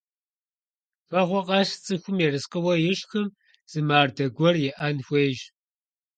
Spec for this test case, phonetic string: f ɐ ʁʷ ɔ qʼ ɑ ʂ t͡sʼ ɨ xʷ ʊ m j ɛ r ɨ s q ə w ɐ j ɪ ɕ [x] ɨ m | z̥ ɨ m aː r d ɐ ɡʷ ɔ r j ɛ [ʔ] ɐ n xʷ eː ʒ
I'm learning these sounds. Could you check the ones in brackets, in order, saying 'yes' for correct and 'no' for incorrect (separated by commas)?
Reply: yes, yes